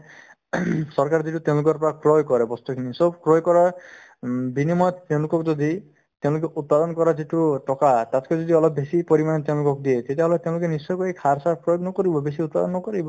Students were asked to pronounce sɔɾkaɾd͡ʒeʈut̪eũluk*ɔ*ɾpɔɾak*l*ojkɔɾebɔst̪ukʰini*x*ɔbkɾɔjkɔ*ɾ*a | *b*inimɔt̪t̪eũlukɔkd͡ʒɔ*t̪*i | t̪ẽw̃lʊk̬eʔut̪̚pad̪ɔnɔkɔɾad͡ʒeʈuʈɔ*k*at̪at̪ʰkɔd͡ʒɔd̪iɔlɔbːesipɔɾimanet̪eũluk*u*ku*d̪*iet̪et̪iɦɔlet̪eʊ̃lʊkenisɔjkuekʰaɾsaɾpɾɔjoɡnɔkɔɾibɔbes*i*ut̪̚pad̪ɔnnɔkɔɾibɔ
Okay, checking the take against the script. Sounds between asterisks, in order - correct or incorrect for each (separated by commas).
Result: correct, incorrect, incorrect, correct, correct, incorrect, correct, incorrect, correct, correct